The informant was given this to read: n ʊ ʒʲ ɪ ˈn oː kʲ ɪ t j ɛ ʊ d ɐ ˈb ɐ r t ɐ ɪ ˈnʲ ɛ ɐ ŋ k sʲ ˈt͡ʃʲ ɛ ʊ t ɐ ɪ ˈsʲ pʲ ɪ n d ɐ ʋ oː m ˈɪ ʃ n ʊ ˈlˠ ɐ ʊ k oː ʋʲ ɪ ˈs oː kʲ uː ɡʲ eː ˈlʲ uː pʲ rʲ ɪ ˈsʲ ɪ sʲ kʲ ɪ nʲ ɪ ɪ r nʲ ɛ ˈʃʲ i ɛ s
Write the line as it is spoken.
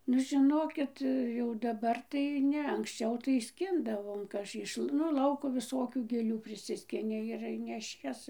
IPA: n ʊ ʒʲ ɪ ˈn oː kʲ ɪ t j ɛ ʊ d ɐ ˈb ɐ r t ɐ ɪ ˈnʲ ɛ ɐ ŋ k sʲ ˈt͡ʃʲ ɛ ʊ t ɐ ɪ ˈsʲ kʲ ɪ n d ɐ ʋ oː m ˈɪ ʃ n ʊ ˈlˠ ɐ ʊ k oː ʋʲ ɪ ˈs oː kʲ uː ɡʲ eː ˈlʲ uː pʲ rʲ ɪ ˈsʲ ɪ sʲ kʲ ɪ nʲ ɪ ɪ r nʲ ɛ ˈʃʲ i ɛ s